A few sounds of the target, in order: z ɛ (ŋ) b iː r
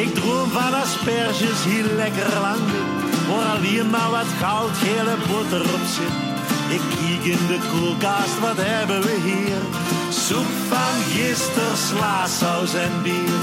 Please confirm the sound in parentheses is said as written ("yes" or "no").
no